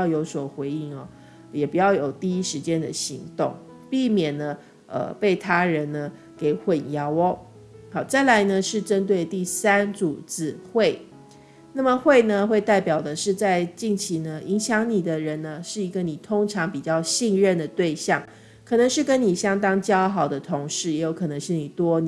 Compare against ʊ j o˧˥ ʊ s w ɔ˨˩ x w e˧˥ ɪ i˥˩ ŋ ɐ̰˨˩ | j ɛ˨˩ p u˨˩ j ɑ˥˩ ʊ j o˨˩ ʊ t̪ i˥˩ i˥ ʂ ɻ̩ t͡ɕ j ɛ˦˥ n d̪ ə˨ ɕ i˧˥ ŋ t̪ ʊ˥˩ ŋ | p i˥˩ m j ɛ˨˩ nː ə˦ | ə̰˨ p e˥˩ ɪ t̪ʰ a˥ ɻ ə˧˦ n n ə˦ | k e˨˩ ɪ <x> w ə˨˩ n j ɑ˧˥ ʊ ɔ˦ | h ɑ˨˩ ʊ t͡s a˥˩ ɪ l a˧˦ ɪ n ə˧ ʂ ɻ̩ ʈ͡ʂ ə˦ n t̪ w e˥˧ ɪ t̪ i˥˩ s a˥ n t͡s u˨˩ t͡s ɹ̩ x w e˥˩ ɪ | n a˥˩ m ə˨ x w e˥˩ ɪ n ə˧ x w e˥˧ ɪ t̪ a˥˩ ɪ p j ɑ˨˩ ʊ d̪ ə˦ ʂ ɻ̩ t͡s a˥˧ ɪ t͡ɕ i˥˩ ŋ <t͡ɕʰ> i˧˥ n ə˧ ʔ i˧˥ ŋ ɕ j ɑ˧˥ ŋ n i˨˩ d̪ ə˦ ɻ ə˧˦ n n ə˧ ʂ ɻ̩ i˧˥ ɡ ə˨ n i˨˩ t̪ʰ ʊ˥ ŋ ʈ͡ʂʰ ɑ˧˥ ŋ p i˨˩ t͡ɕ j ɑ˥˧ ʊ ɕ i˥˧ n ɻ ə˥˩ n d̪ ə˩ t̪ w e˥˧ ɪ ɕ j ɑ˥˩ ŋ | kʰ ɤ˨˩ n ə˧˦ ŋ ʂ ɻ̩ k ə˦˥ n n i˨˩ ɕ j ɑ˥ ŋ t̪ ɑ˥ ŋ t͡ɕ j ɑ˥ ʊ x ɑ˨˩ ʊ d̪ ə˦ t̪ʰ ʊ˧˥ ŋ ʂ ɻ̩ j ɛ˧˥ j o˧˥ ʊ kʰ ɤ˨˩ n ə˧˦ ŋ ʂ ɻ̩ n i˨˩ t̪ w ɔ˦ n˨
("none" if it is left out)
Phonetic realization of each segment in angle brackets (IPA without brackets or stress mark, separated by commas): x, t͡ɕʰ